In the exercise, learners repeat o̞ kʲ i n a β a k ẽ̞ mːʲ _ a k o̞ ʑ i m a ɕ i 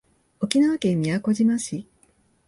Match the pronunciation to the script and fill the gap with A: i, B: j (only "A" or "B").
A